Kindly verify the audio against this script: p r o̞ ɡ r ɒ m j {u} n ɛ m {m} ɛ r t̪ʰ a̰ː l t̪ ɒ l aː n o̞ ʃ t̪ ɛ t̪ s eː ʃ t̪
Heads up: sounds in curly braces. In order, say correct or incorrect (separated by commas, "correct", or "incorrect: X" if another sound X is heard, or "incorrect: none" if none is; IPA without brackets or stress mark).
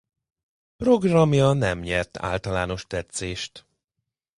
incorrect: ɒ, incorrect: ɲ